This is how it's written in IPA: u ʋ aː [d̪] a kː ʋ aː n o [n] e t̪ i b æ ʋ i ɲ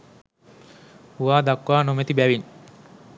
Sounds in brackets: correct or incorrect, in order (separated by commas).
correct, incorrect